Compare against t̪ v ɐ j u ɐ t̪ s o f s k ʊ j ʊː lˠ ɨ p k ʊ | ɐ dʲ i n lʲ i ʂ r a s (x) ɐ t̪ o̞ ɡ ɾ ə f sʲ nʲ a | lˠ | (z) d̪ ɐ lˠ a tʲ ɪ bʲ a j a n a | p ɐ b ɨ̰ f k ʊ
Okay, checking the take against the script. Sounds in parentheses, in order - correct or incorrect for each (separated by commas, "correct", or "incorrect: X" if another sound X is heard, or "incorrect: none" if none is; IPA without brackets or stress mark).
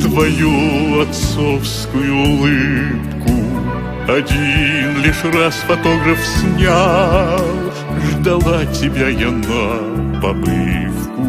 incorrect: f, incorrect: ʐ